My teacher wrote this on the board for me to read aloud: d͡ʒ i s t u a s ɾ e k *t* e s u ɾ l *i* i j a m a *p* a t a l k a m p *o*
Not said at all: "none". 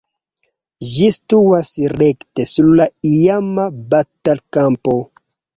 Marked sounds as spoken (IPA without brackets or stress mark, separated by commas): t, a, b, o